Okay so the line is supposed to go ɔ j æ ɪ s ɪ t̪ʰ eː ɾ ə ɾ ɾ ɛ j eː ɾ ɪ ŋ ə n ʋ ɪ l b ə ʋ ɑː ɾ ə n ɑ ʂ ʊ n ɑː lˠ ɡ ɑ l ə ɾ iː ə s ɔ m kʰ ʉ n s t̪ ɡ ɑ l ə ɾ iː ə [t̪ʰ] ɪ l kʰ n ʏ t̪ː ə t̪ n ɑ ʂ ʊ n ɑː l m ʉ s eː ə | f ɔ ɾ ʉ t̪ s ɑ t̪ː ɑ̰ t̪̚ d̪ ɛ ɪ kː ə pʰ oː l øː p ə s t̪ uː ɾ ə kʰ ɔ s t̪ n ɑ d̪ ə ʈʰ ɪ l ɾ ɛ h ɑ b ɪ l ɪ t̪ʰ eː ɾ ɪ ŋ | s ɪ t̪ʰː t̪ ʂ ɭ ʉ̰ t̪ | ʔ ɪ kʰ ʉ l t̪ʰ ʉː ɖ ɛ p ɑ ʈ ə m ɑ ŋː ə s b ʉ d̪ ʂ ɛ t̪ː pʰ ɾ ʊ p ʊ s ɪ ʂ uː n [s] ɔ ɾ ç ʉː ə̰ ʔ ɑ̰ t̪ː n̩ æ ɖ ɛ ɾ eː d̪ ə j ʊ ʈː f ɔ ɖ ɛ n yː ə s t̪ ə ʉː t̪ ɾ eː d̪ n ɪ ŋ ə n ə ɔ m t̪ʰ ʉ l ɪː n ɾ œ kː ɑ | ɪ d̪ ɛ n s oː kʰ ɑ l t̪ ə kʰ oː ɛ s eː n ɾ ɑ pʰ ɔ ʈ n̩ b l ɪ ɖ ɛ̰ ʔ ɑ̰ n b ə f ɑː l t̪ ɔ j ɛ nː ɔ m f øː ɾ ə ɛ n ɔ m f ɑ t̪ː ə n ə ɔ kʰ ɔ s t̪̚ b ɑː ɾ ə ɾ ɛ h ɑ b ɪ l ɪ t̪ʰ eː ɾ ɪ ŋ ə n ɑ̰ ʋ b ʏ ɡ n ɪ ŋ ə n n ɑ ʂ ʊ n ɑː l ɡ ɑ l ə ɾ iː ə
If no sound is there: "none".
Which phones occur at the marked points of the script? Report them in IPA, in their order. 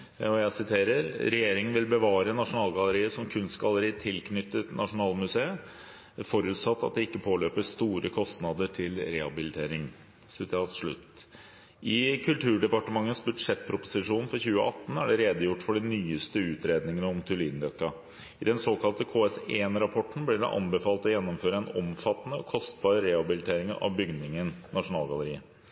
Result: t̪ʰ, f

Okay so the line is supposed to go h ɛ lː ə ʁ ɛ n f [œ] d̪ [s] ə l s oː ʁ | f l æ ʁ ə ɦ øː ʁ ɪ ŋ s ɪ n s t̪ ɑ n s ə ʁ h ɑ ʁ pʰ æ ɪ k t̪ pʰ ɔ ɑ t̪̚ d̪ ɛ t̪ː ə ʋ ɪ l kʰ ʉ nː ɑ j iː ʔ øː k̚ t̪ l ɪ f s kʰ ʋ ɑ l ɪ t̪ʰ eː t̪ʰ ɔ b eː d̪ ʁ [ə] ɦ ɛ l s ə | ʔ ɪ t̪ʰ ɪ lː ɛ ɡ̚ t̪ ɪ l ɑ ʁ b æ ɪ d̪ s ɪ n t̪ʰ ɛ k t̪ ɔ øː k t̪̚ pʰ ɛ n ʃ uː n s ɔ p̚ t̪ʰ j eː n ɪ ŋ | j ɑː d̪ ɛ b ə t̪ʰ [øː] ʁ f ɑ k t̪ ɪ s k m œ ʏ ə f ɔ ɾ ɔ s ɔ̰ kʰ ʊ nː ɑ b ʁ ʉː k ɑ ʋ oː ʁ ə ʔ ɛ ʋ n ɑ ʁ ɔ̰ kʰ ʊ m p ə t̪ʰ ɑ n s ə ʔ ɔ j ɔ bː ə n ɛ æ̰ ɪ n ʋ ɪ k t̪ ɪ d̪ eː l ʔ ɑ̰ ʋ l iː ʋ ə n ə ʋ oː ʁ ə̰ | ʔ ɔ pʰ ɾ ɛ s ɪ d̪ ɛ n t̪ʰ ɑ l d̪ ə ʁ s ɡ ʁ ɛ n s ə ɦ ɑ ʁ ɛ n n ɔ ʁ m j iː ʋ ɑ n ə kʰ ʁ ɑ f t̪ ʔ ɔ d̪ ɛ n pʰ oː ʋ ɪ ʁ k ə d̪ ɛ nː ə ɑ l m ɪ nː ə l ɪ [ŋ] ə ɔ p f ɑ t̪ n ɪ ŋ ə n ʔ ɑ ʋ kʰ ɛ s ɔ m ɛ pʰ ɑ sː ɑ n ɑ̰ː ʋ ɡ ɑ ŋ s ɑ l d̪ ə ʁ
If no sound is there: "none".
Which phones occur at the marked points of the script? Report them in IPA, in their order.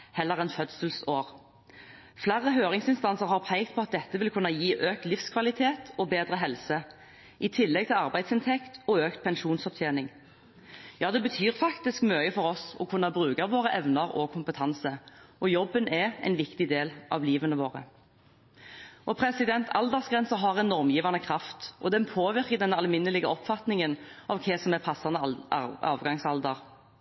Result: œ, s, ə, yː, ɡ

